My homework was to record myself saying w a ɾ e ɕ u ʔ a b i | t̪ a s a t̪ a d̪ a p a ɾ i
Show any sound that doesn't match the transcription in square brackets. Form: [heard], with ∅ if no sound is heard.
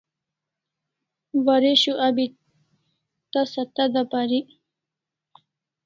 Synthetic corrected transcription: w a ɾ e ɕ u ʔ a b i | t̪ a s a t̪ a d̪ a p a ɾ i